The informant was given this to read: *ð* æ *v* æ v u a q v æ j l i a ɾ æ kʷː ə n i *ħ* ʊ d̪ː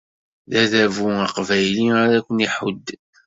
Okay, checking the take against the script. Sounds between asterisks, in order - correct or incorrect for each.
correct, incorrect: ð, correct

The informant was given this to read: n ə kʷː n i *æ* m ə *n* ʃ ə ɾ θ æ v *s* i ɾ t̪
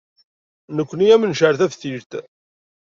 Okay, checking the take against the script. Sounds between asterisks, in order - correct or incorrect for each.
correct, correct, incorrect: θ

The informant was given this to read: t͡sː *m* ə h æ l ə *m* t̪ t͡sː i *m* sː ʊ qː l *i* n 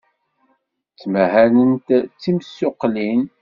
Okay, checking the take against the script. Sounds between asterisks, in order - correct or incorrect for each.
correct, incorrect: n, correct, correct

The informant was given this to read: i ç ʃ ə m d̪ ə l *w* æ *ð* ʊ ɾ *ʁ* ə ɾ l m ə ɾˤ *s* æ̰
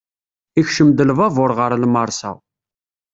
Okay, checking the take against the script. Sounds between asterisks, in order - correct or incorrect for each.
incorrect: v, incorrect: v, correct, correct

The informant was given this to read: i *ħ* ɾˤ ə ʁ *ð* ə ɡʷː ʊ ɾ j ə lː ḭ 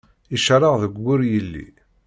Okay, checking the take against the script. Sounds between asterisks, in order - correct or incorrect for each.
incorrect: ʃ, correct

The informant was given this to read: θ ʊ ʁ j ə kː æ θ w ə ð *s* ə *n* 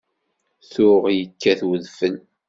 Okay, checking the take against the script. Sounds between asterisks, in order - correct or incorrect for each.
incorrect: f, correct

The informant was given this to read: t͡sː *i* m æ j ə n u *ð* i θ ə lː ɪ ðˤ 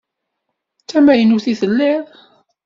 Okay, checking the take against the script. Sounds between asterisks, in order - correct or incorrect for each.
incorrect: æ, incorrect: θ

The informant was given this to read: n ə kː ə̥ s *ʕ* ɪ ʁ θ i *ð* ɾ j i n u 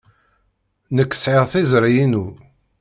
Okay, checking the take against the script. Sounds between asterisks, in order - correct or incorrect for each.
correct, incorrect: z

